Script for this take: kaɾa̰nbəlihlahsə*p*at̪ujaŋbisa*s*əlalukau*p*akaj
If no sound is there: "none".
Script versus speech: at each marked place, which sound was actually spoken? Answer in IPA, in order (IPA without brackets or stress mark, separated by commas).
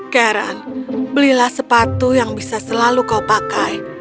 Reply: p, s, p